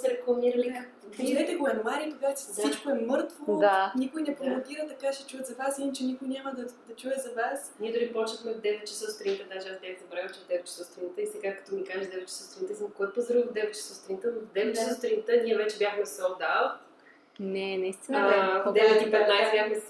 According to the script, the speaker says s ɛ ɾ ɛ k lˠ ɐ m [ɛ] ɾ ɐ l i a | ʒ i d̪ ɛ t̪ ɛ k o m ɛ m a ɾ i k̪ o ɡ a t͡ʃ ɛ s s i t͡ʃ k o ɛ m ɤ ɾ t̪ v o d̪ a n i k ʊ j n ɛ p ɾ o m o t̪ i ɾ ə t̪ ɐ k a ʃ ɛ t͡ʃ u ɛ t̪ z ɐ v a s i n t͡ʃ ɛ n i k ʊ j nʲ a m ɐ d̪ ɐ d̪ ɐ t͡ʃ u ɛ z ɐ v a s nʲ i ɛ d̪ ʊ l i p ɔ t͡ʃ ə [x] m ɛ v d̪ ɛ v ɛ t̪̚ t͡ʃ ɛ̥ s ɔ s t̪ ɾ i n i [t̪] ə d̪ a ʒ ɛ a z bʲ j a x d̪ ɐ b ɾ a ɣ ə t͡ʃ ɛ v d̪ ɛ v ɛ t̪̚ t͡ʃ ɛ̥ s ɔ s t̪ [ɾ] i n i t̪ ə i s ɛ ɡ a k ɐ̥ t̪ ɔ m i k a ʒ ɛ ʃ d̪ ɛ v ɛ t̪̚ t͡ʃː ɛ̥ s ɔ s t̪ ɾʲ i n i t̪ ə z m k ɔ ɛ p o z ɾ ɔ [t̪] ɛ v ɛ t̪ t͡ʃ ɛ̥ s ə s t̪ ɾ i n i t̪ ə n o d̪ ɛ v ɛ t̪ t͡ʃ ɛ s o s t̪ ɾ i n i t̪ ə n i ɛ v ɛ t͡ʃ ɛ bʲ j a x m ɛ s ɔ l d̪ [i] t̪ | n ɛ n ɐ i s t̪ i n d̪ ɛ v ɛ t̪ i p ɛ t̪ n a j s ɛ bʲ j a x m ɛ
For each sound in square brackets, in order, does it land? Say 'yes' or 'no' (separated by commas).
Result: no, yes, yes, yes, no, no